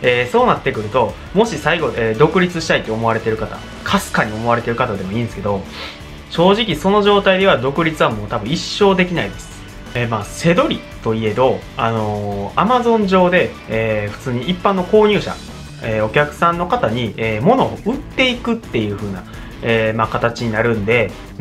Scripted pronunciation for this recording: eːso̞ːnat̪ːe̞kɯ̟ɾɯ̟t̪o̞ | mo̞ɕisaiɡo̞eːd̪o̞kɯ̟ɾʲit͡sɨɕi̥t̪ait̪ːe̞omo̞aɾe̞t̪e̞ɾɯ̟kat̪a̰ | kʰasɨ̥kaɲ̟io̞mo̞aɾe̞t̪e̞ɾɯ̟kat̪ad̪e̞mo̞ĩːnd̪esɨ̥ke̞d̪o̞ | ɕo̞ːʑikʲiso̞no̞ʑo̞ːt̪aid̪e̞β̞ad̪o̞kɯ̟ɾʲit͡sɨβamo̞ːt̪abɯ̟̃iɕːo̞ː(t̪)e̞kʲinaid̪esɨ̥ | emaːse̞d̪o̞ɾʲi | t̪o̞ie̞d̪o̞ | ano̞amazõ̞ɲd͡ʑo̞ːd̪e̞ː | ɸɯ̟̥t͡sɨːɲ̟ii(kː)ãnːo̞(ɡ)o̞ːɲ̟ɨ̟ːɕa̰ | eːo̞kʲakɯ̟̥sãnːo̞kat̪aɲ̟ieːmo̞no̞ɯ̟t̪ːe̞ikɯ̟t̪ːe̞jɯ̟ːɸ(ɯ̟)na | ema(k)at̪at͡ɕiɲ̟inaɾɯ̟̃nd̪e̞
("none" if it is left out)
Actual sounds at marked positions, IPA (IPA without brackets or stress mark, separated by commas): d̪, pː, k, ɯ̟ː, k